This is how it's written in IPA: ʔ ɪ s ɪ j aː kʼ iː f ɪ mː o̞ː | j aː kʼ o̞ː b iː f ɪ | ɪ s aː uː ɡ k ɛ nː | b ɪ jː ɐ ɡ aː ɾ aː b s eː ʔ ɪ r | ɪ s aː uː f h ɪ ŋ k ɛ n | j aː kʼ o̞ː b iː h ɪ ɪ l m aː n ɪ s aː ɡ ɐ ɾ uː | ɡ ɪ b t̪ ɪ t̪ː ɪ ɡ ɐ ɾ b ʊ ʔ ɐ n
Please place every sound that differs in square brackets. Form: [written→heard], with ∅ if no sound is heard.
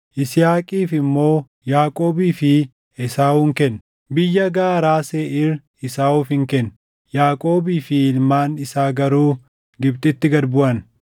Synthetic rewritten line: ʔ ɪ s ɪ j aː kʼ iː f ɪ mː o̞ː | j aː kʼ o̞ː b iː f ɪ | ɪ s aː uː [ɡ→ŋ] k ɛ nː | b ɪ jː ɐ ɡ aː ɾ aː [b→∅] s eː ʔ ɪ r | ɪ s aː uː f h ɪ ŋ k ɛ n | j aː kʼ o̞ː b iː [h→f] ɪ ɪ l m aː n ɪ s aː ɡ ɐ ɾ uː | ɡ ɪ b t̪ ɪ t̪ː ɪ ɡ ɐ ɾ b ʊ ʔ ɐ n